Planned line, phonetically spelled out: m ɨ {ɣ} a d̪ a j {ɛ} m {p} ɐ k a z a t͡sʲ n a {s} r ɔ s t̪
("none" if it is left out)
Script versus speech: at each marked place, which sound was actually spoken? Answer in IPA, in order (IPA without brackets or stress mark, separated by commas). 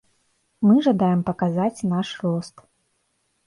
ʐ, ɛ, p, ʂ